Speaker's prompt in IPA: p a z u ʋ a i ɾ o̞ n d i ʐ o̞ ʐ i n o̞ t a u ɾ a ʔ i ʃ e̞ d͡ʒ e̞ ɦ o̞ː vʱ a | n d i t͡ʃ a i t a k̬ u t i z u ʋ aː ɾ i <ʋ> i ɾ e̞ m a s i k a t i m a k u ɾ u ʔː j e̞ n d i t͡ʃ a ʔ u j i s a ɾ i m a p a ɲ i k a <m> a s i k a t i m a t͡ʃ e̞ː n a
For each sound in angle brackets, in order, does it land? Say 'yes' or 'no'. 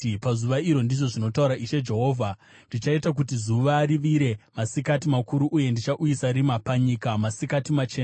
yes, yes

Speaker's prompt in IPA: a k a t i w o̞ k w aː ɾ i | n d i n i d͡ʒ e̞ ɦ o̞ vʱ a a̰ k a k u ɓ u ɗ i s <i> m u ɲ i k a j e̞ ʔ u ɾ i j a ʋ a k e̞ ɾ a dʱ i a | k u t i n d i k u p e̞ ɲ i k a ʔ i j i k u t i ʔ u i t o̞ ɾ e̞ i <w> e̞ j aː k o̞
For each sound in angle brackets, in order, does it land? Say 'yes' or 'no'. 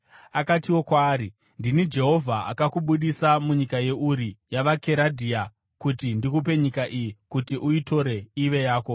no, no

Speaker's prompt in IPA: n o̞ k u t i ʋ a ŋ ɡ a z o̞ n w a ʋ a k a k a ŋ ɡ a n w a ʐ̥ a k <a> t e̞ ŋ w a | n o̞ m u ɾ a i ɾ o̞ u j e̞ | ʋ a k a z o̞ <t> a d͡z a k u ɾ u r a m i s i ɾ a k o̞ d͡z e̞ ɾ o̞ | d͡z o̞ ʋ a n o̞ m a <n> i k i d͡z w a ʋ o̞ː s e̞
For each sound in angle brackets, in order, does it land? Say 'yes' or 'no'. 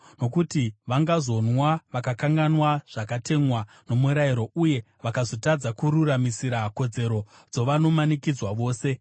yes, yes, yes

